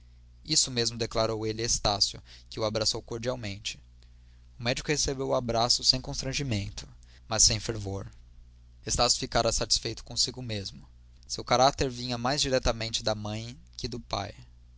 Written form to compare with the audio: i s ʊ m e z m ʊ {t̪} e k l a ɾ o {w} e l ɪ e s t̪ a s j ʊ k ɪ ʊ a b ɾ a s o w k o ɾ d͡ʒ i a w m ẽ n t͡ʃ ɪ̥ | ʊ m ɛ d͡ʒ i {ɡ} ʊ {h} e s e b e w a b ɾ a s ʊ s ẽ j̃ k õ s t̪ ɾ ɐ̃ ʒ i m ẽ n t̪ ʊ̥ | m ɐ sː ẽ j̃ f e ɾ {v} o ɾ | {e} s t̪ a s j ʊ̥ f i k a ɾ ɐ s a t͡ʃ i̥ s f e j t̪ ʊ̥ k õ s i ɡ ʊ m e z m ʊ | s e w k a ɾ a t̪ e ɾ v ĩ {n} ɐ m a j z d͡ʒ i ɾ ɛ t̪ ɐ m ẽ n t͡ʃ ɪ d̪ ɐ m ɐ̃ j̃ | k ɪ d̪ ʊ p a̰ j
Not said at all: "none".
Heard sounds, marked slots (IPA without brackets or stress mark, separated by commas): d̪, w, k, h, v, e, ɲ